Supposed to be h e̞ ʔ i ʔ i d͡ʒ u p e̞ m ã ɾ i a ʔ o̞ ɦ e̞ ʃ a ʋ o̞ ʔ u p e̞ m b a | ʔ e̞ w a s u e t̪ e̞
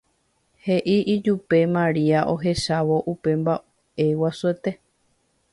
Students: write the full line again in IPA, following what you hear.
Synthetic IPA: h e̞ ʔ i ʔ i d͡ʒ u p e̞ m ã ɾ i a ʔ o̞ ɦ e̞ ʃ a ʋ o̞ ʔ u p e̞ m b a | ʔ e̞ w a s u e t̪ e̞